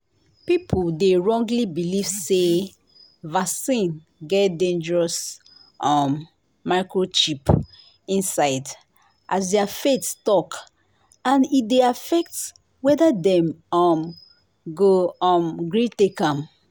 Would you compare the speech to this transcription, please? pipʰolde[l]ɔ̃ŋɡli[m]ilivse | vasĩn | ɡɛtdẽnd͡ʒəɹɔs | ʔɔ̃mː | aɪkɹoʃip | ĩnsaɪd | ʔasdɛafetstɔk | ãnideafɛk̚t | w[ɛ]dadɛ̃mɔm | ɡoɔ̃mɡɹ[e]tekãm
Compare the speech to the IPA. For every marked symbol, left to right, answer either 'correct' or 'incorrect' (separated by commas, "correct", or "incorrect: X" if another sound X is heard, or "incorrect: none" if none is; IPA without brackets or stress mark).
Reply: incorrect: ɹ, incorrect: b, correct, incorrect: i